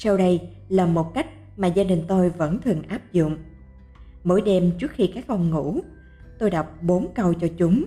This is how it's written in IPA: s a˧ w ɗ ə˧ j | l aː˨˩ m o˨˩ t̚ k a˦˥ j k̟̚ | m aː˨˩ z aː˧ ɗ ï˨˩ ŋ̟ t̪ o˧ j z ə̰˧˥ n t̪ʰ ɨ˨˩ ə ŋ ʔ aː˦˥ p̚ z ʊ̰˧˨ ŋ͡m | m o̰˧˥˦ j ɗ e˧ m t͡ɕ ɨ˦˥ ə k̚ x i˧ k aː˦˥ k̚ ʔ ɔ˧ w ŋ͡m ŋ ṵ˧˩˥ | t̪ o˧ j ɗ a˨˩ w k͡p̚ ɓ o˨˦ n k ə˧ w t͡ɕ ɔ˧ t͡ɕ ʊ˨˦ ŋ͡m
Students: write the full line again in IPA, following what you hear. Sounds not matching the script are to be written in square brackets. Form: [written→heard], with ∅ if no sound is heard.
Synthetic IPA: s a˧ w ɗ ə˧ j | l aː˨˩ m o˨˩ t̚ k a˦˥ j k̟̚ | m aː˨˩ z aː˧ ɗ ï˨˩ ŋ̟ t̪ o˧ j [z→v] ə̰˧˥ n t̪ʰ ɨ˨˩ ə ŋ ʔ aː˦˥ p̚ z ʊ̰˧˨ ŋ͡m | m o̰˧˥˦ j ɗ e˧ m t͡ɕ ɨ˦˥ ə k̚ x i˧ k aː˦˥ k̚ ʔ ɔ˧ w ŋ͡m ŋ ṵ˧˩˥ | t̪ o˧ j ɗ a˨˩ w k͡p̚ ɓ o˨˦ n k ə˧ w t͡ɕ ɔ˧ t͡ɕ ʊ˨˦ ŋ͡m